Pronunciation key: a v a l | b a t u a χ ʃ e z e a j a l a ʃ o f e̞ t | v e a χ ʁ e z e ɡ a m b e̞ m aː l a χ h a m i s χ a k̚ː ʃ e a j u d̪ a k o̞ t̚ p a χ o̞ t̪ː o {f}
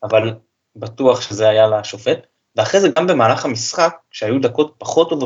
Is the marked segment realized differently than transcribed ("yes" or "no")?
yes